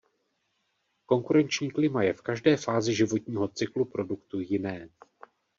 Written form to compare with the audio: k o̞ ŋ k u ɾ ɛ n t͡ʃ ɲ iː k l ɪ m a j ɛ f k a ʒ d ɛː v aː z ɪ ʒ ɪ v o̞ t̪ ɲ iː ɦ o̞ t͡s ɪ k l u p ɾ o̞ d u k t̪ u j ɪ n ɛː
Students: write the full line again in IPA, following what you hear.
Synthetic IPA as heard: k o̞ ŋ k u ɾ ɛ n t͡ʃ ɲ iː k l ɪ m a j ɛ f k a ʒ d ɛː f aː z ɪ ʒ ɪ v o̞ t̪ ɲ iː ɦ o̞ t͡s ɪ k l u p ɾ o̞ d u k t̪ u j ɪ n ɛː